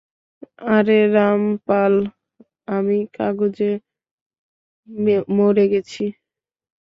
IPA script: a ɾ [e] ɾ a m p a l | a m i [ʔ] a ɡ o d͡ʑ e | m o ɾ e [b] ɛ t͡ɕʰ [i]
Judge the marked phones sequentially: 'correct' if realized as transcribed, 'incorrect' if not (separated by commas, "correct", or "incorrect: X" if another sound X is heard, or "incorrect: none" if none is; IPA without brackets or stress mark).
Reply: correct, incorrect: k, incorrect: ɡ, correct